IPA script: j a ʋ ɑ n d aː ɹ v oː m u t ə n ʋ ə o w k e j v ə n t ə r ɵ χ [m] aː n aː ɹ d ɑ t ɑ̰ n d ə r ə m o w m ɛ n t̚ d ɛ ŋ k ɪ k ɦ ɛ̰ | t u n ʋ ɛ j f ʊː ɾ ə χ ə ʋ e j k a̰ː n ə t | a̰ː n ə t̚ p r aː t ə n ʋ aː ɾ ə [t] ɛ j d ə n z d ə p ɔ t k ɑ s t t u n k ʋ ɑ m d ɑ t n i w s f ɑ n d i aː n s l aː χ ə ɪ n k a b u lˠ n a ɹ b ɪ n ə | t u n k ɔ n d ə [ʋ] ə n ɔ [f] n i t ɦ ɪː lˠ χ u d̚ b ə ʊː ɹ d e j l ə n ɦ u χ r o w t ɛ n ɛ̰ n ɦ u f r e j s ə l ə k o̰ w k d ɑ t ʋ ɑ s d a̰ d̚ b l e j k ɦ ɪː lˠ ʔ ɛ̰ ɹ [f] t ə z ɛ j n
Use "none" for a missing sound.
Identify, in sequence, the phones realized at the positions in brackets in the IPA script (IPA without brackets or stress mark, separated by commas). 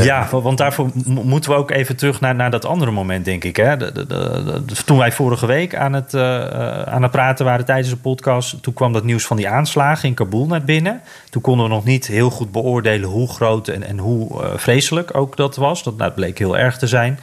n, t, ʋ, χ, χ